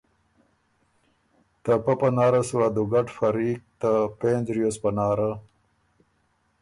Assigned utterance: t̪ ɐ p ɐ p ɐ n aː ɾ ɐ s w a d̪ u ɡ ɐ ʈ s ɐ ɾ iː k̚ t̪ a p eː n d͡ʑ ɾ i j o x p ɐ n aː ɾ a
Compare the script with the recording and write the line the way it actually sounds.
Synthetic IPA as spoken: t̪ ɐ p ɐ p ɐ n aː ɾ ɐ s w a d̪ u ɡ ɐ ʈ f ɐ ɾ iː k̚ t̪ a p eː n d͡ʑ ɾ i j o s p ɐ n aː ɾ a